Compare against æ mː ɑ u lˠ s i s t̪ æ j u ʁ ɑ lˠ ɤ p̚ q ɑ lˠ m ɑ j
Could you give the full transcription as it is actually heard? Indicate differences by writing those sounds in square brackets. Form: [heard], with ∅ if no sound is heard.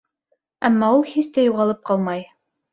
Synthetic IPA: æ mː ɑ u lˠ [h] i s t̪ æ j u ʁ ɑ lˠ ɤ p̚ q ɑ lˠ m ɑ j